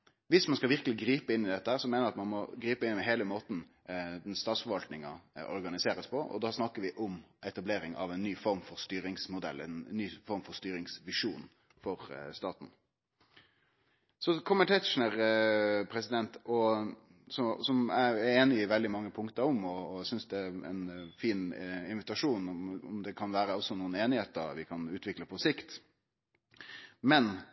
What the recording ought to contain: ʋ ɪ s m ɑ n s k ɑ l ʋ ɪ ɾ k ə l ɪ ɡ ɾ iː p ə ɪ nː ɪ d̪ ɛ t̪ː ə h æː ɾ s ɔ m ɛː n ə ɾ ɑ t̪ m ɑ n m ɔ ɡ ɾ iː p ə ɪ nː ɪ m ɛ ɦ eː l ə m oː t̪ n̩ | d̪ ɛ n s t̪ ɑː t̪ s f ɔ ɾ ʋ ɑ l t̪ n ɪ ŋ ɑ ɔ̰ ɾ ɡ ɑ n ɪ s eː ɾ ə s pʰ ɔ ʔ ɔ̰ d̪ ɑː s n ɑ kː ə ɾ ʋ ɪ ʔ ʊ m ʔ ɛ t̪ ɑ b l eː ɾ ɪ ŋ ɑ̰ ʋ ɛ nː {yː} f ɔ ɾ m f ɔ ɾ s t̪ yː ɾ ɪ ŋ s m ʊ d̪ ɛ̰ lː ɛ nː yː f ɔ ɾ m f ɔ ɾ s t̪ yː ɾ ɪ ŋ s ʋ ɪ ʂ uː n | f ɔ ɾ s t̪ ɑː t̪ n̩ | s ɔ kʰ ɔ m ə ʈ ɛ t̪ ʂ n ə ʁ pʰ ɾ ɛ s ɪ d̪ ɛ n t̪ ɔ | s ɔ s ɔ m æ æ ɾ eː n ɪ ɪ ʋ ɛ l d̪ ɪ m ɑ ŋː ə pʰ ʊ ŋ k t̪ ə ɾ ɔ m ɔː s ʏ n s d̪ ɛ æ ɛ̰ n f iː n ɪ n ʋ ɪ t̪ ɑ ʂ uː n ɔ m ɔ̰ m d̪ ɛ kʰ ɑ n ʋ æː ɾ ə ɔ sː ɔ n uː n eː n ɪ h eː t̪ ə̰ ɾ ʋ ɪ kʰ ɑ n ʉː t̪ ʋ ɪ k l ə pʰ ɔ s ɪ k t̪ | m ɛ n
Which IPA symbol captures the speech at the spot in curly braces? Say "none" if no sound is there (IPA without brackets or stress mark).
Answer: yː